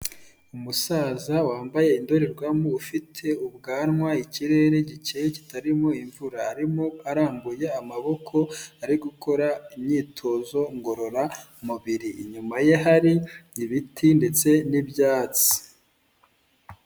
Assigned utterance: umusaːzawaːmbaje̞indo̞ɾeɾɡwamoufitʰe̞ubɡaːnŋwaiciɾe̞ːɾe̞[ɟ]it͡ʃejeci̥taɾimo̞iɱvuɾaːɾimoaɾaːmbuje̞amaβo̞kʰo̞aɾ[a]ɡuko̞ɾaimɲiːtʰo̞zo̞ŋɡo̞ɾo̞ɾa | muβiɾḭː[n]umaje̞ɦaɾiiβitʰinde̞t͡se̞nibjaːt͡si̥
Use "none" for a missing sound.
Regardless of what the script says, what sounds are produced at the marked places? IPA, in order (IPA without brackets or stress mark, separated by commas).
ɟ, i, ɲ